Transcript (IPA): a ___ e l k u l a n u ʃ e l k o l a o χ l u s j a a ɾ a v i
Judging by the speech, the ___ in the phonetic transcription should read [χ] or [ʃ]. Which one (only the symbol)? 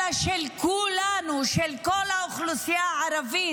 ʃ